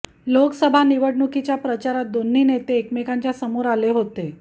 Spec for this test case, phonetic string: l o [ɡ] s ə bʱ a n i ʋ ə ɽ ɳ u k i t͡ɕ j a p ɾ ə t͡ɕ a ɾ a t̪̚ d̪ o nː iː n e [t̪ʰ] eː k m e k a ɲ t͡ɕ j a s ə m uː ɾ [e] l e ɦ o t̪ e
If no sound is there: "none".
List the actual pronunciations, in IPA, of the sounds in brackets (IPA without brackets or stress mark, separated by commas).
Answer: k, t̪, a